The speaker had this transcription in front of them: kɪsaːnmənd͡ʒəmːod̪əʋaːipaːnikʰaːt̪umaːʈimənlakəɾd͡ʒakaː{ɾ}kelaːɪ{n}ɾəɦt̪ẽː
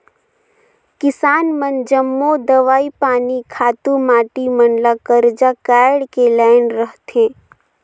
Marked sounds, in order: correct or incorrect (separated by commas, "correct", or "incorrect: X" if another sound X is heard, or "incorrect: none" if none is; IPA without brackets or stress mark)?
incorrect: ɽ, correct